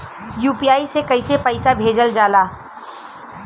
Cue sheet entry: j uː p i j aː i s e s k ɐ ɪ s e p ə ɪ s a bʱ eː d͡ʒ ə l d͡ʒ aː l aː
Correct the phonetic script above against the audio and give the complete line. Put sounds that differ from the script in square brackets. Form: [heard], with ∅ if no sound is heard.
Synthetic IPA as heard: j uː p i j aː i s e [∅] k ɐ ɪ s e p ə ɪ s a bʱ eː d͡ʒ ə l d͡ʒ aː l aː